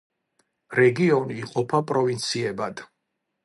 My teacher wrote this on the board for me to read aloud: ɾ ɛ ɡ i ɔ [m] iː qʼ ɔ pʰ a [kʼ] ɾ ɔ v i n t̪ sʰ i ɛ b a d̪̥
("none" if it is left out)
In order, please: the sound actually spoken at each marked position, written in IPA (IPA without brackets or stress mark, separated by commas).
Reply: n, pʼ